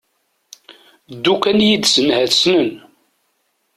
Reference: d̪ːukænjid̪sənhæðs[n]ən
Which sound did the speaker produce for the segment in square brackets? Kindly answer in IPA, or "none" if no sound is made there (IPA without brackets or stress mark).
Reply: n